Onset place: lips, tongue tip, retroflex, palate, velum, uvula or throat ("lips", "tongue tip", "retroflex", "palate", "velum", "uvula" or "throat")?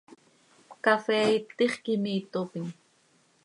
velum